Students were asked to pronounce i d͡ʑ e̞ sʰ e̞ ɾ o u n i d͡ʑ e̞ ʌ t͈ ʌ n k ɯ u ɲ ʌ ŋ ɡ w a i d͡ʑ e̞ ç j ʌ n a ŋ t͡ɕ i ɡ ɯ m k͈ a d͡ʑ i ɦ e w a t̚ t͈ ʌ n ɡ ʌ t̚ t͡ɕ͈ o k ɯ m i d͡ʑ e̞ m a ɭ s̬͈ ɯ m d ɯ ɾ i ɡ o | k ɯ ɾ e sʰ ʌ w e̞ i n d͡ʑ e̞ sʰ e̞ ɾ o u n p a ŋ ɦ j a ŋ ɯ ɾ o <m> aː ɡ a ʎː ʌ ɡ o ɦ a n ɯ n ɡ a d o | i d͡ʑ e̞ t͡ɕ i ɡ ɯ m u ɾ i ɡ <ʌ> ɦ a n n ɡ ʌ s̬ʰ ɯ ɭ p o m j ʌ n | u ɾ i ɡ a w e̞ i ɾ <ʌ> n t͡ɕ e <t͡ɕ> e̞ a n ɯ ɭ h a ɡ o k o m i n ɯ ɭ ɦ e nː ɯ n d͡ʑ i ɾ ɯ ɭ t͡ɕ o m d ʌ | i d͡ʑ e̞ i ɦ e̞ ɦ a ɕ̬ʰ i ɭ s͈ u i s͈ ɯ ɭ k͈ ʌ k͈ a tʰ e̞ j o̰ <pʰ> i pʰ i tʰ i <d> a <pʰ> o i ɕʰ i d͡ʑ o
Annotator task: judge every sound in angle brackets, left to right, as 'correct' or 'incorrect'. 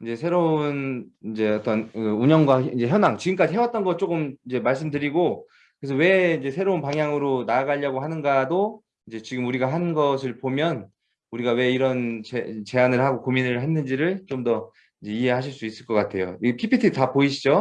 incorrect: n, incorrect: a, correct, correct, correct, incorrect: t, incorrect: p

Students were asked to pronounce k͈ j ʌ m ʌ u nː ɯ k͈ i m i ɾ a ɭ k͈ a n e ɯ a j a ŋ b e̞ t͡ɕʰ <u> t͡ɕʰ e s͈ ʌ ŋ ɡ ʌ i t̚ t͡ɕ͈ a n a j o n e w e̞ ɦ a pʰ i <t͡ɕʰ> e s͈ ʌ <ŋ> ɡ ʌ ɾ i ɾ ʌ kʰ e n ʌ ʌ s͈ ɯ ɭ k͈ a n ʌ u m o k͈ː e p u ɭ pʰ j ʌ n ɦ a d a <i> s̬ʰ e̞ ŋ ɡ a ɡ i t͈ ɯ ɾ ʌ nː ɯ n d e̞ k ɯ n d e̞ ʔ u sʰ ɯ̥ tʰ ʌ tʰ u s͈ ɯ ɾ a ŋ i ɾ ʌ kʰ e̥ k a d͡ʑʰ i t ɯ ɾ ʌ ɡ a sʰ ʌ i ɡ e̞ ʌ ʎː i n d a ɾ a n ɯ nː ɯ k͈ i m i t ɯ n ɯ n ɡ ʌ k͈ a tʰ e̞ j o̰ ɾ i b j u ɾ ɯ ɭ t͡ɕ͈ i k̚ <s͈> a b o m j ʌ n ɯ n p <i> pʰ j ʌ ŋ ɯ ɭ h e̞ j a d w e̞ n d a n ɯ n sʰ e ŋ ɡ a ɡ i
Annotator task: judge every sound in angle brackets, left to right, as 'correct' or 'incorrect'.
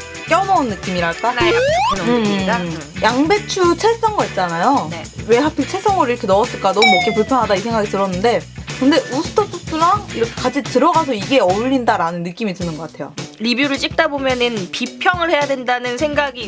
correct, correct, correct, correct, incorrect: t͈, correct

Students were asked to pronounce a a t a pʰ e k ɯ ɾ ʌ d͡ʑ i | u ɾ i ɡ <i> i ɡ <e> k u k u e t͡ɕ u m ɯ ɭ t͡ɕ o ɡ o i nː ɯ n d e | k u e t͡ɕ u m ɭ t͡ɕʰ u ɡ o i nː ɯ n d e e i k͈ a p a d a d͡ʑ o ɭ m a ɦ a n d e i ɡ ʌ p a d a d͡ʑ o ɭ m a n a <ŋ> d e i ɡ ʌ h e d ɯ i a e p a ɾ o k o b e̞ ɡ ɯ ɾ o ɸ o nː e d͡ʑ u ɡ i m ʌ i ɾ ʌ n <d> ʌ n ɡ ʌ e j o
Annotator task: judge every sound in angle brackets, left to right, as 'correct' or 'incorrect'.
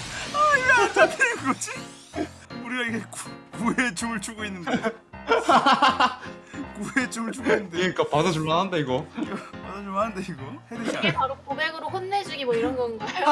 incorrect: a, correct, incorrect: n, incorrect: ɡ

